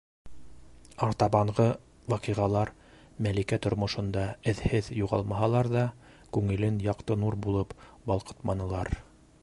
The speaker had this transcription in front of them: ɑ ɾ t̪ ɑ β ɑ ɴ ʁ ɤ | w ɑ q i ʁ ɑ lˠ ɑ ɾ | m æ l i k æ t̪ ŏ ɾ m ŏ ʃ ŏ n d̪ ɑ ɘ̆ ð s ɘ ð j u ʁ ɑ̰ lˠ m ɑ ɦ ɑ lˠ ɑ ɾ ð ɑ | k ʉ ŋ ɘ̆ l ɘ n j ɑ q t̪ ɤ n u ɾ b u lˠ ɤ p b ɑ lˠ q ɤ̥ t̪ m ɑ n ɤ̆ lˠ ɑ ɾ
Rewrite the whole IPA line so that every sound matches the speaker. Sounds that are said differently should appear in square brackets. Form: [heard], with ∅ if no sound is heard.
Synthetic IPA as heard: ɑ ɾ t̪ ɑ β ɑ ɴ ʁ ɤ | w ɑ q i ʁ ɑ lˠ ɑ ɾ | m æ l i k æ t̪ ŏ ɾ m ŏ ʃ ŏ n d̪ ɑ ɘ̆ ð [h] ɘ ð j u ʁ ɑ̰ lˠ m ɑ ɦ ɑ lˠ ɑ ɾ ð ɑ | k ʉ ŋ ɘ̆ l ɘ n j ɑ q t̪ ɤ n u ɾ b u lˠ ɤ p b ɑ lˠ q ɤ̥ t̪ m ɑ n ɤ̆ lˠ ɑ ɾ